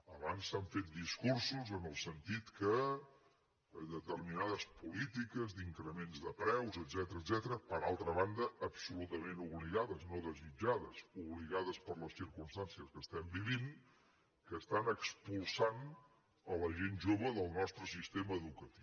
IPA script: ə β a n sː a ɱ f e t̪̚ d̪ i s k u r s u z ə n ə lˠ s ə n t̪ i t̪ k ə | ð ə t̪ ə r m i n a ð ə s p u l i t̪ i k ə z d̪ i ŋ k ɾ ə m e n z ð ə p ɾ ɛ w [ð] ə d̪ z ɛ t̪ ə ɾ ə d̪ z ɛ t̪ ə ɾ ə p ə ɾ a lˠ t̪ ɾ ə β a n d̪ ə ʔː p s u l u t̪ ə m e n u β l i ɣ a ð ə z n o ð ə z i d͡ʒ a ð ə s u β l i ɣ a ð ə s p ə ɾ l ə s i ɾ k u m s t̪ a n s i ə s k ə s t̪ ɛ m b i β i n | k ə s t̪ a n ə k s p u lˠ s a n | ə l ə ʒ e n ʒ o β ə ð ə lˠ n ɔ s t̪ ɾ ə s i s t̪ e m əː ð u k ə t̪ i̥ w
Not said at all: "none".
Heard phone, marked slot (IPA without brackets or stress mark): z